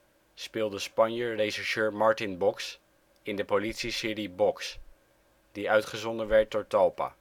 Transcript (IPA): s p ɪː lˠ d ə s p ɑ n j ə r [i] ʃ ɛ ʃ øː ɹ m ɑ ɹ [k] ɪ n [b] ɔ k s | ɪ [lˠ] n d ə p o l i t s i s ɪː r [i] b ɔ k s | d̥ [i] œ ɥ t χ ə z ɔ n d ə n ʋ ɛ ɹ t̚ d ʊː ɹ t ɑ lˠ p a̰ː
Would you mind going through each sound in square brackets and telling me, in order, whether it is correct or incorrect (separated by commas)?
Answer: incorrect, incorrect, correct, incorrect, correct, correct